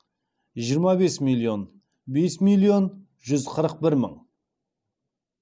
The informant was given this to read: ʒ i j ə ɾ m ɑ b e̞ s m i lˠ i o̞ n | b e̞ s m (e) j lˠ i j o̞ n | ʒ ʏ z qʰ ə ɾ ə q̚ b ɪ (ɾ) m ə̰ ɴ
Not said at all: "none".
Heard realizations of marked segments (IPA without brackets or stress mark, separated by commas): i, ɾ